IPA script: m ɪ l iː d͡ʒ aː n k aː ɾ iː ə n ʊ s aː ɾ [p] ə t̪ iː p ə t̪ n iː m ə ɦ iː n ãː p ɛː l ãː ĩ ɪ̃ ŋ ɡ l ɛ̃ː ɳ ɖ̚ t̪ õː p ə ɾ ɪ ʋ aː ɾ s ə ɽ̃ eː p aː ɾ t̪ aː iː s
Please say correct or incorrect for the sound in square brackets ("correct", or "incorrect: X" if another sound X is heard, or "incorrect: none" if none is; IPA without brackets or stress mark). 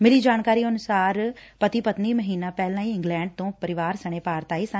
correct